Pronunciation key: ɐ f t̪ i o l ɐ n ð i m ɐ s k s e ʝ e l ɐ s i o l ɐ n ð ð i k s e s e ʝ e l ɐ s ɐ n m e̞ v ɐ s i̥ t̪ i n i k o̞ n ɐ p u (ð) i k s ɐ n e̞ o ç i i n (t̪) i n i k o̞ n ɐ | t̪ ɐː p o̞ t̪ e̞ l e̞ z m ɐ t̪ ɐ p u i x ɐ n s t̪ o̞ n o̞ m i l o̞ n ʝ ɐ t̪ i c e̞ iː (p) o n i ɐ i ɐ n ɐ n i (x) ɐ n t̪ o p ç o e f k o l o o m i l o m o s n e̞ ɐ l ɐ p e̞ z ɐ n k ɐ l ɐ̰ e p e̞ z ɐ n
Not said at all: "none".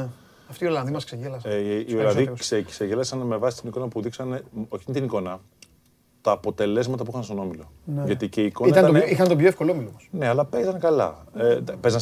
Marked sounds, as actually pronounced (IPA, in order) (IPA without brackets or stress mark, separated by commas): ð, t̪, k, x